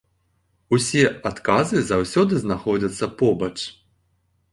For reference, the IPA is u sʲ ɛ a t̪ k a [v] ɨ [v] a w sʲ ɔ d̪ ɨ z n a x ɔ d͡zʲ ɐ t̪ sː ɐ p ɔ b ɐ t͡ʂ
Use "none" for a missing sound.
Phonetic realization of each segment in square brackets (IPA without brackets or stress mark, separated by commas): z, z